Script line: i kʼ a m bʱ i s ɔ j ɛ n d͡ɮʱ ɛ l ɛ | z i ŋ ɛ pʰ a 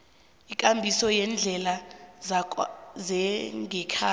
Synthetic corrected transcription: i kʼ a m bʱ i s ɔ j ɛ n d͡ɮʱ ɛ l a | z ɛ ŋ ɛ kʰ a